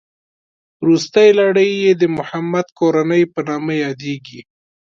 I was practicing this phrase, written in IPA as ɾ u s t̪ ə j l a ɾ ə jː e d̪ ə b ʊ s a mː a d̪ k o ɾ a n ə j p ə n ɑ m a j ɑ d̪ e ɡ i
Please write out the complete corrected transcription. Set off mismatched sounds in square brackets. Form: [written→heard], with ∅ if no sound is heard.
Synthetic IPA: ɾ u s t̪ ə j l a [ɾ→ɽ] ə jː e d̪ ə [b→m] ʊ [s→h] a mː a d̪ k o ɾ a n ə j p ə n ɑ m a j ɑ d̪ e ɡ i